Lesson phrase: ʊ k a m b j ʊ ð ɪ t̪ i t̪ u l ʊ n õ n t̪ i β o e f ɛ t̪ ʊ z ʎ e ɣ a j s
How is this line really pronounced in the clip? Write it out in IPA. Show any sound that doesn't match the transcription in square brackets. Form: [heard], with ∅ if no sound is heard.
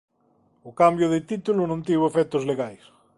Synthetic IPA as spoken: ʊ k a m b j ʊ ð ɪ t̪ i t̪ u l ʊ n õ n t̪ i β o e f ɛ t̪ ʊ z [l] e ɣ a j s